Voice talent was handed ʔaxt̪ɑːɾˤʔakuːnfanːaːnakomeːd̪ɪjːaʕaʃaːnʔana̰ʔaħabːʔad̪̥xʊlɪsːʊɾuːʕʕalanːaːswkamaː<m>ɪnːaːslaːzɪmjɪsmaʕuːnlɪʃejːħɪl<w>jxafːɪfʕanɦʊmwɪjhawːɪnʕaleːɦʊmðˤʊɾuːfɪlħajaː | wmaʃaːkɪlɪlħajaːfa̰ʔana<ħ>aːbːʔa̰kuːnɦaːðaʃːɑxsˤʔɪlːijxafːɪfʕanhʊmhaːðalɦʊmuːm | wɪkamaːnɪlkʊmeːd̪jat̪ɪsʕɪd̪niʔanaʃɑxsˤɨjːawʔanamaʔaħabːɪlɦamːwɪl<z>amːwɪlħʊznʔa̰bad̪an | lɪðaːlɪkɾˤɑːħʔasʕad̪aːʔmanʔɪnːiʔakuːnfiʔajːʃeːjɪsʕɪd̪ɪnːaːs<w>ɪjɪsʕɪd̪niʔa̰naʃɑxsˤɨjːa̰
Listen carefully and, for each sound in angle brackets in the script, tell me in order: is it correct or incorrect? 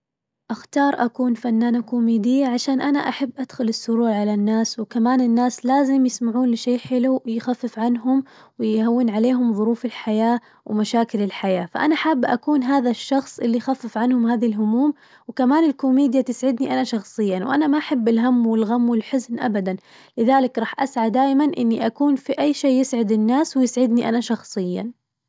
incorrect, incorrect, correct, incorrect, correct

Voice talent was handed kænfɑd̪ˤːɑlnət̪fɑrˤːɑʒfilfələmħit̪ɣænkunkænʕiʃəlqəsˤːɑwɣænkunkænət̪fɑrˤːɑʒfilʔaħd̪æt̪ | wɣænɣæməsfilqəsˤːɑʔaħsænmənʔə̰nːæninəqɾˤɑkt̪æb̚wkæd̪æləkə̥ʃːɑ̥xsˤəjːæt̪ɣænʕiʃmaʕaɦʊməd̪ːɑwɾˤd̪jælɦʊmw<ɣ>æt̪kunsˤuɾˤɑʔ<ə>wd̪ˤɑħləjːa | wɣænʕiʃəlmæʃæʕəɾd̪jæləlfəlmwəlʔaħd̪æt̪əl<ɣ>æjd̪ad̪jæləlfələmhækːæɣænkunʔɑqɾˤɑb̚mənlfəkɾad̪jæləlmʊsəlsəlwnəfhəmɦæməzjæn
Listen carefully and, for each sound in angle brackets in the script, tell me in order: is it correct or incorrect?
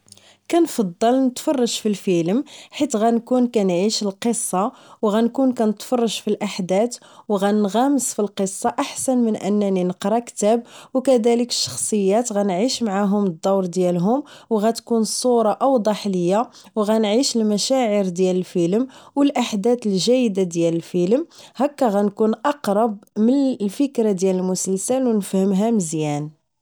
correct, incorrect, incorrect

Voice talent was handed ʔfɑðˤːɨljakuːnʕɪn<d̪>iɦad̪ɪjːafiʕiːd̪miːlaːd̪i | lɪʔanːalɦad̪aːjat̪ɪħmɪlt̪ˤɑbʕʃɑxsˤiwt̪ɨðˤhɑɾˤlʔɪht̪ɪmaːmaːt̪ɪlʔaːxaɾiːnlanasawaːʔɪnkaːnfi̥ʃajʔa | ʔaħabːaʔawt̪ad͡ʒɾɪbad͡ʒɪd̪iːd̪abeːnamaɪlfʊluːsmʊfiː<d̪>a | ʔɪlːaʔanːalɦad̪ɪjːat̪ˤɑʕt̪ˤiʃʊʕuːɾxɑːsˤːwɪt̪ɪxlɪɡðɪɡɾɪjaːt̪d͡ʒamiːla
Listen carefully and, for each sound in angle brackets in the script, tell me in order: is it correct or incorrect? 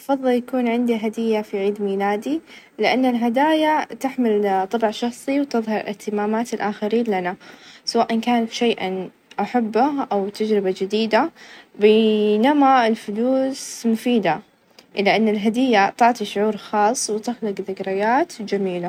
correct, correct

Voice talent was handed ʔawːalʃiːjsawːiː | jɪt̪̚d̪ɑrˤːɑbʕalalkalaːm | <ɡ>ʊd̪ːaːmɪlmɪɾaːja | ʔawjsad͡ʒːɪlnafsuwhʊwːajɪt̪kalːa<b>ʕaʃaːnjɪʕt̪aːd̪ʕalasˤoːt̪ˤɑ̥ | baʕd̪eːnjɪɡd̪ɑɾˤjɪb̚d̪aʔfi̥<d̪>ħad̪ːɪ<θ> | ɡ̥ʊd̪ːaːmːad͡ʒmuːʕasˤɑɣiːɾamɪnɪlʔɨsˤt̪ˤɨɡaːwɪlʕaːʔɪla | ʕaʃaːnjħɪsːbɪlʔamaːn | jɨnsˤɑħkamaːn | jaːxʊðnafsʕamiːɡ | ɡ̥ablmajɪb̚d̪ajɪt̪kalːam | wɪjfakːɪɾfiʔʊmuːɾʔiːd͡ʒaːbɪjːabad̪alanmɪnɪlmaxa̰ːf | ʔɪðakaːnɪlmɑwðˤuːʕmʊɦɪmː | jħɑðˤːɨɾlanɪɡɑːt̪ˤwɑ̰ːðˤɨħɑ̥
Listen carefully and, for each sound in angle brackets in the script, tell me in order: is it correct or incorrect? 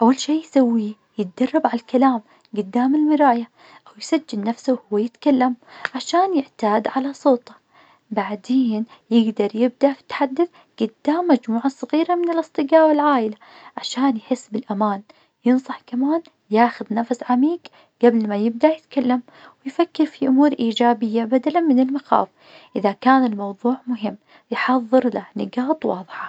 correct, incorrect, incorrect, correct

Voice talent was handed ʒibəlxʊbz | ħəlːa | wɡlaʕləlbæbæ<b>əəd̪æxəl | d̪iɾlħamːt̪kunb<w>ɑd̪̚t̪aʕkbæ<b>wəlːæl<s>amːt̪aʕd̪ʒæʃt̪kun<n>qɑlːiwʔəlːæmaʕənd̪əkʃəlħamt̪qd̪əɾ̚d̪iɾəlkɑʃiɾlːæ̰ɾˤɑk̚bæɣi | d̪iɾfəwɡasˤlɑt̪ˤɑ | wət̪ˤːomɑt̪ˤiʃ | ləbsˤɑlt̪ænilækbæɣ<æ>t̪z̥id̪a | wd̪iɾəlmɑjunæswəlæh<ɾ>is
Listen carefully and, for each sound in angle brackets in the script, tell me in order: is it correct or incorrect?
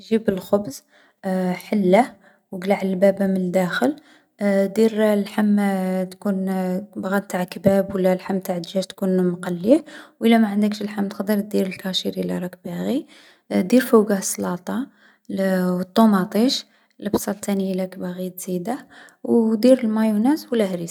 incorrect, incorrect, correct, incorrect, incorrect, incorrect, correct

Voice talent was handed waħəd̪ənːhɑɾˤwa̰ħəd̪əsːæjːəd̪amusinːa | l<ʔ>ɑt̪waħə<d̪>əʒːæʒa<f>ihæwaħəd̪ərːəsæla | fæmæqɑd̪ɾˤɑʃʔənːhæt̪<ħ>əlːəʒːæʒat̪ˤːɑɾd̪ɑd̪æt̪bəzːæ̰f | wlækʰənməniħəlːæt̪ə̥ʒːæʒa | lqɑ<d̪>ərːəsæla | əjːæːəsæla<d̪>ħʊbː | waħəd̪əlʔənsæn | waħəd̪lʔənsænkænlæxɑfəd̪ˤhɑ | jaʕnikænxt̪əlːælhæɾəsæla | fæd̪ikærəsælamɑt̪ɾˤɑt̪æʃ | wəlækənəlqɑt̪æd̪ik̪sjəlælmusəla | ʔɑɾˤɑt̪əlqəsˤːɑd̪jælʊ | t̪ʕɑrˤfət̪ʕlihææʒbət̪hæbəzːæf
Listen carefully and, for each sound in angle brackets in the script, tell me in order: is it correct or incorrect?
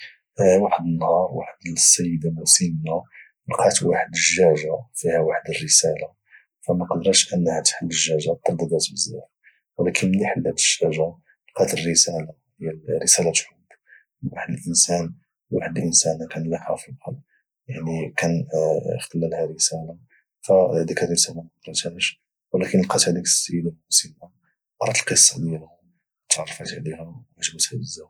incorrect, correct, correct, correct, incorrect, incorrect

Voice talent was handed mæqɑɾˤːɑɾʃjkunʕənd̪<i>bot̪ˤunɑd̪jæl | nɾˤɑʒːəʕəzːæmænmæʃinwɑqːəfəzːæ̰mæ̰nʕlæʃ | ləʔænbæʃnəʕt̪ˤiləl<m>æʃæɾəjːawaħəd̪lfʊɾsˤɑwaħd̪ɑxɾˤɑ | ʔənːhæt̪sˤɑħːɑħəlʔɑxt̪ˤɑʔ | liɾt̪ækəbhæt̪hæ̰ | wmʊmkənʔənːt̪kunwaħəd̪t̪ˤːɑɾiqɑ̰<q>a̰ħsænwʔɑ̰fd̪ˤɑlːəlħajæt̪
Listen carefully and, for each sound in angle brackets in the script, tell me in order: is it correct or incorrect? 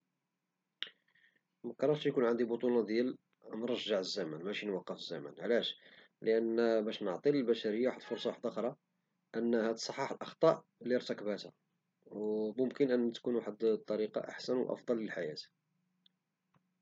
correct, incorrect, incorrect

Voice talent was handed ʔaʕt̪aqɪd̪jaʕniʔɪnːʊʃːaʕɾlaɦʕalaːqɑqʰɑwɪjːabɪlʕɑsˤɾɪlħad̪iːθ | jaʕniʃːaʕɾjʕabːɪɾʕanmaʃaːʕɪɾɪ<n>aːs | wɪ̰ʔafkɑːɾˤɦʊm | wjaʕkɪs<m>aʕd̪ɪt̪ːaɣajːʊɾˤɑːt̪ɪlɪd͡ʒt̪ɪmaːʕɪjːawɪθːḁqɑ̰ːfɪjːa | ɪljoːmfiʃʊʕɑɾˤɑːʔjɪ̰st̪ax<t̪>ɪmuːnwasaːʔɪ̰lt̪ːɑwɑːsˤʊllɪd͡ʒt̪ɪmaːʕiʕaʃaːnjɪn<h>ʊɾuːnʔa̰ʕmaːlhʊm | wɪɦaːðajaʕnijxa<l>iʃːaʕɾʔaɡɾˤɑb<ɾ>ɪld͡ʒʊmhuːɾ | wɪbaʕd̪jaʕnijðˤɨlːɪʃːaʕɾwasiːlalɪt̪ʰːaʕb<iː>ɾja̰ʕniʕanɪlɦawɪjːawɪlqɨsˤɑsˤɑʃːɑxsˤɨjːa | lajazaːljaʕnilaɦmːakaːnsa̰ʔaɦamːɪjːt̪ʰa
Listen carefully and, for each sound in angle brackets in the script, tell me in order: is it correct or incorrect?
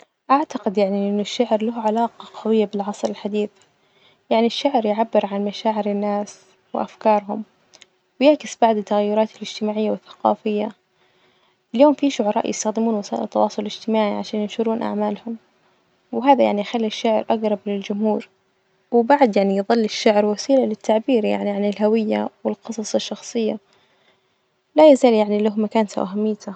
incorrect, incorrect, incorrect, incorrect, incorrect, incorrect, correct

